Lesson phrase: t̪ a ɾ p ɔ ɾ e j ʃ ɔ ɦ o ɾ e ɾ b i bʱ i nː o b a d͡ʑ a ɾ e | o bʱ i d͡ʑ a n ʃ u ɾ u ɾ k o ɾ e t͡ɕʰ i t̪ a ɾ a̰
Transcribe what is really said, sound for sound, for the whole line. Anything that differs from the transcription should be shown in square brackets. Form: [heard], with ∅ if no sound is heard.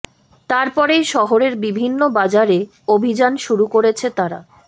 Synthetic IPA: t̪ a ɾ p ɔ ɾ e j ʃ ɔ ɦ o ɾ e ɾ b i bʱ i nː o b a d͡ʑ a ɾ e | o bʱ i d͡ʑ a n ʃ u ɾ u [∅] k o ɾ e t͡ɕʰ [e] t̪ a ɾ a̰

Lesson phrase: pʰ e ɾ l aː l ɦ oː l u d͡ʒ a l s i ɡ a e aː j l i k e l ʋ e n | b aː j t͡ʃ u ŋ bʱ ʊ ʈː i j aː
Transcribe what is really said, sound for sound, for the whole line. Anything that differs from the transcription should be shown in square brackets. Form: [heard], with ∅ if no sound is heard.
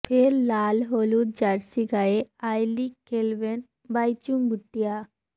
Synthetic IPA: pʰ e ɾ l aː l ɦ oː l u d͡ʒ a [ɾ] s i ɡ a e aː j l i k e l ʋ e n | b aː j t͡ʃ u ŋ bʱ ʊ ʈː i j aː

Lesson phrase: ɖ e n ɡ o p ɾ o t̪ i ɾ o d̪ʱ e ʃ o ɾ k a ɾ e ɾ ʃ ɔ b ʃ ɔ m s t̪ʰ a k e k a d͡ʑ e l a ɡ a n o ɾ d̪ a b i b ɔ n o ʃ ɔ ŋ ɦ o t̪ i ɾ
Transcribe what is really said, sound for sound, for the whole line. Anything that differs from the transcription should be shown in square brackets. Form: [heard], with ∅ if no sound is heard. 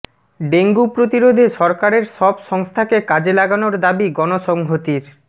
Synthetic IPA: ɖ e [ŋ] ɡ [u] p ɾ o t̪ i ɾ o d̪ʱ e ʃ [ɔ] ɾ k a ɾ e ɾ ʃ ɔ b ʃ ɔ [ŋ] s t̪ʰ a k e k a d͡ʑ e l a ɡ a n o ɾ d̪ a b i [ɡ] ɔ n o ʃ ɔ ŋ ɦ o t̪ i ɾ

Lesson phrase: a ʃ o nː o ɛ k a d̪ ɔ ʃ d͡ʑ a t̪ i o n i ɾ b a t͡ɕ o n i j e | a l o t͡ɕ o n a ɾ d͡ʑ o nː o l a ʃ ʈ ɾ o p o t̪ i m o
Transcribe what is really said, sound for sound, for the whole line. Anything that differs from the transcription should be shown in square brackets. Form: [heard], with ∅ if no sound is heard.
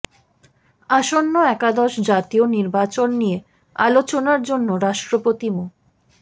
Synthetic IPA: a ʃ o nː o ɛ k a d̪ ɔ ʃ d͡ʑ a t̪ i o n i ɾ b a t͡ɕ o [nː] i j e | a l o t͡ɕ o n a ɾ d͡ʑ o nː o [ɾ] a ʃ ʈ ɾ o p o t̪ i m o

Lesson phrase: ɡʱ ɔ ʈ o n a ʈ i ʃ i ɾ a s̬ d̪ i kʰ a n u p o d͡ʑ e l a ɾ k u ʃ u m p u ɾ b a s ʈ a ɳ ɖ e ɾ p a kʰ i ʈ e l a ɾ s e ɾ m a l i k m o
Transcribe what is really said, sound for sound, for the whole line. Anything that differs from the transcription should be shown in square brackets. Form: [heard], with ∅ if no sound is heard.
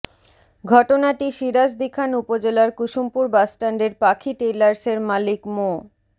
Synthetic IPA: ɡʱ ɔ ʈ o n a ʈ i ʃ i ɾ a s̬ d̪ i kʰ a n u p o d͡ʑ e l a ɾ k u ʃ u m p u ɾ b a s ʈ a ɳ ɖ e ɾ p a kʰ i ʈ e l a ɾ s e ɾ m a l i k m o

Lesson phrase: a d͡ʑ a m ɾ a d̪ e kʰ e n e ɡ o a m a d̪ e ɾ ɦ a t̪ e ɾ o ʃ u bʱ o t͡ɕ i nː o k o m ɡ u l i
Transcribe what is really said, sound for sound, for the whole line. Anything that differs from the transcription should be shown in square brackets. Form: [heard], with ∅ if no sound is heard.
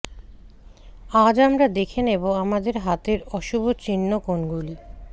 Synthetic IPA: a d͡ʑ a m ɾ a d̪ e kʰ e n e [b] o a m a d̪ e ɾ ɦ a t̪ e ɾ [ɔ] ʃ u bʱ o t͡ɕ i nː o k o [n] ɡ u l i

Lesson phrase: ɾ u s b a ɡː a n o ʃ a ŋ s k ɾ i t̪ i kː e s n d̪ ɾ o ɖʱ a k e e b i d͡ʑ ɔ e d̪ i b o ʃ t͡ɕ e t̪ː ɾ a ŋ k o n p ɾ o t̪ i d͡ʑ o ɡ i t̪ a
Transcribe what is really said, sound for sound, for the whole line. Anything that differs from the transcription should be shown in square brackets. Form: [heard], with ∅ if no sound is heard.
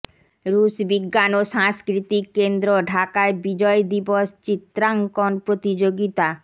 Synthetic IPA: ɾ u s b [i] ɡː a n o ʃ a ŋ s k ɾ i t̪ i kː e [∅] n d̪ ɾ o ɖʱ a k [a] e b i d͡ʑ ɔ e d̪ i b o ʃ t͡ɕ [i] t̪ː ɾ a ŋ k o n p ɾ o t̪ i d͡ʑ o ɡ i t̪ a

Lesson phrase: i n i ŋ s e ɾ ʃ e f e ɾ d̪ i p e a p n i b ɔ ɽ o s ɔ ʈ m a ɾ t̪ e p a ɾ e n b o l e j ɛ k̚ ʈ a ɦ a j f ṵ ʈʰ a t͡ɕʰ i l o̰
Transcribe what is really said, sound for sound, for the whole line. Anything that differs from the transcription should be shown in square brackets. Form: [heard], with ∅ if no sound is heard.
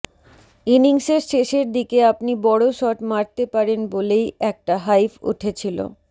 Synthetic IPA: i n i ŋ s e ɾ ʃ e [ʃ] e ɾ d̪ i [k] e a p n i b ɔ ɽ o [ʃ] ɔ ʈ m a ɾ t̪ e p a ɾ e n b o l e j ɛ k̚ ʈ a ɦ a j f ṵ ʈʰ [e] t͡ɕʰ i l o̰

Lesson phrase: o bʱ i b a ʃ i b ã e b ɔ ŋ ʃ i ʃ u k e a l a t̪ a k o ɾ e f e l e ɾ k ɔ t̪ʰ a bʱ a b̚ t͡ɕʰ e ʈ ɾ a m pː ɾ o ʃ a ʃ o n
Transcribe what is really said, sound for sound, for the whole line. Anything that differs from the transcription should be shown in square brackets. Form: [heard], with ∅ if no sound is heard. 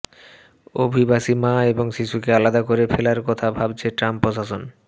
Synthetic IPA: o bʱ i b a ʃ i [m] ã e b [o] ŋ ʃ i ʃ u k e a l a [d̪] a k o ɾ e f e l [a] ɾ k ɔ t̪ʰ a bʱ a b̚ t͡ɕʰ e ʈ ɾ a m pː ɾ o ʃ a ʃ o n

